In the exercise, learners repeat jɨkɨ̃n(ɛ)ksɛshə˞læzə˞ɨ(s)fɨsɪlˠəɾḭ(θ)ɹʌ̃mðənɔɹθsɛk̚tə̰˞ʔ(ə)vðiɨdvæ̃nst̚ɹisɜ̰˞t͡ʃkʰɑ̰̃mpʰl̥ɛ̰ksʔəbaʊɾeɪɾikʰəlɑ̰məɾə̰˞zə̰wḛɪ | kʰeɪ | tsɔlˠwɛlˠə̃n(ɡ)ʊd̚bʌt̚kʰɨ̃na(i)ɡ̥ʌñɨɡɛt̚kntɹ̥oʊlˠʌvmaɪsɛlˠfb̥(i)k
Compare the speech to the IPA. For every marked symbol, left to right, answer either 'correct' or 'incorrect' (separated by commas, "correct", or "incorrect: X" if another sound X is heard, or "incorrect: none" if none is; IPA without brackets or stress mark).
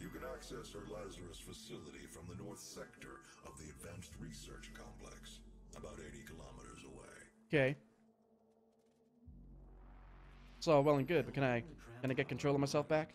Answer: incorrect: æ, correct, incorrect: f, incorrect: ʌ, correct, incorrect: ɪ, incorrect: æ